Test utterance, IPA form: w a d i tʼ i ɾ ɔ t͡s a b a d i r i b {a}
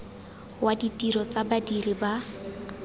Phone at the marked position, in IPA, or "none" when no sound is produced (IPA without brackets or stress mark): a